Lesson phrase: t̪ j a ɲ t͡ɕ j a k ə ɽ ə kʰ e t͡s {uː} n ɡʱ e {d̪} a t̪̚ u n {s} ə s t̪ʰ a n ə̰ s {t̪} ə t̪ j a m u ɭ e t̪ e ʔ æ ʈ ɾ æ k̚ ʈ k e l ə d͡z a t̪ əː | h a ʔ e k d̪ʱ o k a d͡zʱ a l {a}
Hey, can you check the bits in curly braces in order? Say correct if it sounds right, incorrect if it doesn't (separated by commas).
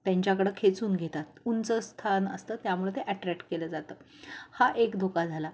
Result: correct, incorrect, incorrect, correct, correct